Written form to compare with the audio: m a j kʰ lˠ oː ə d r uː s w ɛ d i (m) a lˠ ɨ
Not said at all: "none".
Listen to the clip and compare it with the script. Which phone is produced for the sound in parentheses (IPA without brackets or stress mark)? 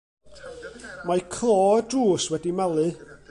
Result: m